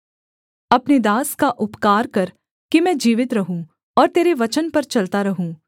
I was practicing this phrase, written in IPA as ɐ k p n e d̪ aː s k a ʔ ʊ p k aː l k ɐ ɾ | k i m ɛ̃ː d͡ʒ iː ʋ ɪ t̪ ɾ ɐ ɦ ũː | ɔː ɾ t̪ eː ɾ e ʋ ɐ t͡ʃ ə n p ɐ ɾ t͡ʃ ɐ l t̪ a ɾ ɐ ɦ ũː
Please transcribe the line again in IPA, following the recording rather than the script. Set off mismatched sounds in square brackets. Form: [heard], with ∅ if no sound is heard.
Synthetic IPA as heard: ɐ [∅] p n e d̪ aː s k a ʔ ʊ p k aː [ɾ] k ɐ ɾ | k i m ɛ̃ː d͡ʒ iː ʋ ɪ t̪ ɾ ɐ ɦ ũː | ɔː ɾ t̪ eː ɾ e ʋ ɐ t͡ʃ ə n p ɐ ɾ t͡ʃ ɐ l t̪ a ɾ ɐ ɦ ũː